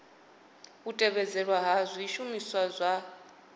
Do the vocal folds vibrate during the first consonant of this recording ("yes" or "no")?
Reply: no